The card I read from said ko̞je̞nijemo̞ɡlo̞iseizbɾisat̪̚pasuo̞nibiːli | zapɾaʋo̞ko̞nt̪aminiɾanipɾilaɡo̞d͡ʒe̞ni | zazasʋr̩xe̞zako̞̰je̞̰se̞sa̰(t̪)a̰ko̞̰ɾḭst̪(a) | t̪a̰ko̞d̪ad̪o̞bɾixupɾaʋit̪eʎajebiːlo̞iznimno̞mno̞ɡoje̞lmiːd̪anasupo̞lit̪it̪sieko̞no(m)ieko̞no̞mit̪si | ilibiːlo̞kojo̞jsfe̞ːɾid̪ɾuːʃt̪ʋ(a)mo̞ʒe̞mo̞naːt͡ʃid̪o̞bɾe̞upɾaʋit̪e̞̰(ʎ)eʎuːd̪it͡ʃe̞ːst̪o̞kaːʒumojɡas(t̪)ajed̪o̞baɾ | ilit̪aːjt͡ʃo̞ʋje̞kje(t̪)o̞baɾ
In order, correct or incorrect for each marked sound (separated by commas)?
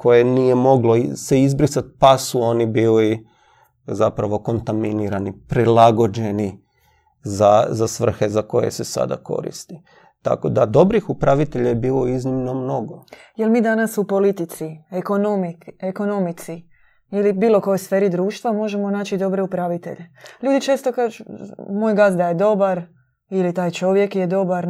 incorrect, incorrect, correct, correct, correct, incorrect, incorrect